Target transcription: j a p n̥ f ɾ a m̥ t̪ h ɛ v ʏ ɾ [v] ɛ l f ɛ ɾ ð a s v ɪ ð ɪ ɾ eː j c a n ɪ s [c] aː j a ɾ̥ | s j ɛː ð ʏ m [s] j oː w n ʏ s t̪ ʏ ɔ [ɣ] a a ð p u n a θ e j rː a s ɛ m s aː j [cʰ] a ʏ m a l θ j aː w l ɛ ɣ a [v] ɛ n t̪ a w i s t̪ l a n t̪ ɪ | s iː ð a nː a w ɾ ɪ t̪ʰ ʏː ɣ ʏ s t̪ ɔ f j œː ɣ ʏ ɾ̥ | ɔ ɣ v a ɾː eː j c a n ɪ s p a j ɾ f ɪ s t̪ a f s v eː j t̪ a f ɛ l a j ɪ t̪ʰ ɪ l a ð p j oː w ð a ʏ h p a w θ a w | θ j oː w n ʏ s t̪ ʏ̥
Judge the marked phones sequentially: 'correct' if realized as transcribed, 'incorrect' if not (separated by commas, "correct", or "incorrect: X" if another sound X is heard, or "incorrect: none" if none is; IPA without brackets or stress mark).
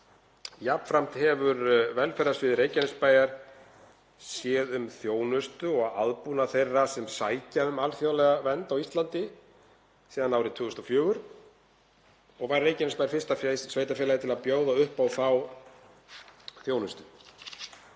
correct, incorrect: p, incorrect: θ, correct, incorrect: c, correct